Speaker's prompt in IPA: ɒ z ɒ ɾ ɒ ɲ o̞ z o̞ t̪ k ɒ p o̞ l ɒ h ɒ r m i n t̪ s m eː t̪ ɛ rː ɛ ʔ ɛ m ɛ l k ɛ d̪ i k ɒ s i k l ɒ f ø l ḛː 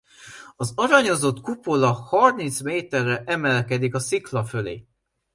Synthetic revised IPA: ɒ z ɒ ɾ ɒ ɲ o̞ z o̞ t̪ k u p o̞ l ɒ h ɒ r m i n t̪ s m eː t̪ ɛ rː ɛ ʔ ɛ m ɛ l k ɛ d̪ i k ɒ s i k l ɒ f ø l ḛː